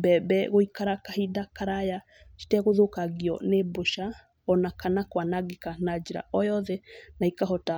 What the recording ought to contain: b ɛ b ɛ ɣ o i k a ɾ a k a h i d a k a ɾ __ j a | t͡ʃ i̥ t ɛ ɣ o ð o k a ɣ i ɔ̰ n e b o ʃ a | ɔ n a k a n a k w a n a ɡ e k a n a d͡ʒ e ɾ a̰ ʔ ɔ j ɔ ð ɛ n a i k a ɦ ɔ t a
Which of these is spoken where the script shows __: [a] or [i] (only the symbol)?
a